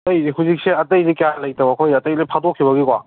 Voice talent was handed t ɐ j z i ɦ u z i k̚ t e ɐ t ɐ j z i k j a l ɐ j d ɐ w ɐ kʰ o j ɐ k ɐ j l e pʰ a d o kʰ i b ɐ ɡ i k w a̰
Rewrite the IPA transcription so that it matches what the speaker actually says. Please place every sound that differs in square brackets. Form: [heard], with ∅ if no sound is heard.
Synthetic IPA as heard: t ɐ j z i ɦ u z i k̚ [s] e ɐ t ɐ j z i k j a l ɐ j [t] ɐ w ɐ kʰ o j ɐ [t] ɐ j l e pʰ a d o kʰ i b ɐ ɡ i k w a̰

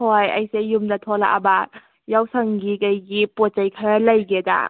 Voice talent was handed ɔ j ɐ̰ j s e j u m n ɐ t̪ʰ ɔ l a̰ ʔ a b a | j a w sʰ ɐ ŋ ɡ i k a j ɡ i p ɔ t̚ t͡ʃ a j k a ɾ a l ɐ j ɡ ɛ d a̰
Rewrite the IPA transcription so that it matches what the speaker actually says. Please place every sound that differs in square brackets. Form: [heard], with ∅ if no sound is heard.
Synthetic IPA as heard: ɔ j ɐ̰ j s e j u m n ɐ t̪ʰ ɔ l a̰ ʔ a b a | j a w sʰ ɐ ŋ ɡ i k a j ɡ i p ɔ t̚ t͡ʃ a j [kʰ] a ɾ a l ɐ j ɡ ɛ d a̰

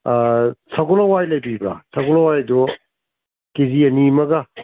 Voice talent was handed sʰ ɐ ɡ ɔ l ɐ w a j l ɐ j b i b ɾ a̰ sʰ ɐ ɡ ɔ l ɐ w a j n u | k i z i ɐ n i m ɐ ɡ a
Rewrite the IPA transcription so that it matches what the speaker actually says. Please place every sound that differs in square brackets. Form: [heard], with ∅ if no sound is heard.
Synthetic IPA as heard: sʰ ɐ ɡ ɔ l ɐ w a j l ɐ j b i b ɾ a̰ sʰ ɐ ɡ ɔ l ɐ w a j [d] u | k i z i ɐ n i m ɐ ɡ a

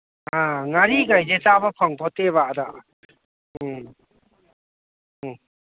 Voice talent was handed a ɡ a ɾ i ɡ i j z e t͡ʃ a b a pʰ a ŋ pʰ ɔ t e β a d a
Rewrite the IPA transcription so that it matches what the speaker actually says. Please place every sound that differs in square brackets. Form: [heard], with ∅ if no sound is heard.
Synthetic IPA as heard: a [ŋ] a ɾ i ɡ [a] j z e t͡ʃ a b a pʰ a ŋ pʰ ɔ t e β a d a

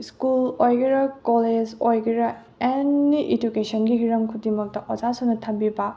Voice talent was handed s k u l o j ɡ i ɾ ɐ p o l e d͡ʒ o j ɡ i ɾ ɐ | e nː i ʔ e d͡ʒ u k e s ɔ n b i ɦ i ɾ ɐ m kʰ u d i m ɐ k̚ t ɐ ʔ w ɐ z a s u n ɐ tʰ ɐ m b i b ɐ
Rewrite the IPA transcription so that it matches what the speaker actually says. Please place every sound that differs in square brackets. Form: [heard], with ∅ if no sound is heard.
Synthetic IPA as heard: s k u l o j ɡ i ɾ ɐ [k] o l e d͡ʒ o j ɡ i ɾ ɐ | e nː i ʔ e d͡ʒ u k e s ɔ n [ɡ] i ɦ i ɾ ɐ m kʰ u d i m ɐ k̚ t ɐ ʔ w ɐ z a s u n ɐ tʰ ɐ m b i b ɐ

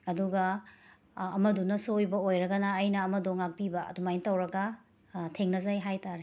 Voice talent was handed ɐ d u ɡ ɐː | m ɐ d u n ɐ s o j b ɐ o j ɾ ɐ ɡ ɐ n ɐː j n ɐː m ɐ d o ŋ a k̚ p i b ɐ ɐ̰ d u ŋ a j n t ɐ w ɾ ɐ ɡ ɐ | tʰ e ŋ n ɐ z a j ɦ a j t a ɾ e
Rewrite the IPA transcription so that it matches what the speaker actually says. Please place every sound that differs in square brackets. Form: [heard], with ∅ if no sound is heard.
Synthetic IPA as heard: ɐ d u ɡ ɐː | m ɐ d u n ɐ s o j b ɐ o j ɾ ɐ ɡ ɐ n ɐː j n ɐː m ɐ d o ŋ a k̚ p i b ɐ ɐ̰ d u [m] a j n t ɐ w ɾ ɐ ɡ ɐ | tʰ e ŋ n ɐ z a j ɦ a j t a ɾ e

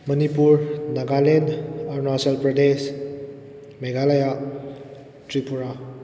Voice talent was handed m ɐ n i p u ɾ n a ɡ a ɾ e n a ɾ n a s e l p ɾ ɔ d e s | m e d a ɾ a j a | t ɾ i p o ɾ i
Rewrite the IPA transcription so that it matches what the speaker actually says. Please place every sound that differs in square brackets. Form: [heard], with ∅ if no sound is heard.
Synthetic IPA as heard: m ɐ n i p u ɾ n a ɡ a [l] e n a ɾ n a s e l p ɾ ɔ d e s | m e [ɡ] a [l] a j a | t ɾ i p [u] ɾ [a]

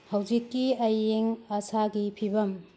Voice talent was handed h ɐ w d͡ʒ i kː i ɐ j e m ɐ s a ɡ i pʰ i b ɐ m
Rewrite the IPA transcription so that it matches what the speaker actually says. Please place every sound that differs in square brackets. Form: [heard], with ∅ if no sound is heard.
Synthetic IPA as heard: h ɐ w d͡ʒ i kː i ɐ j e [ŋ] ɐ s a ɡ i pʰ i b ɐ m

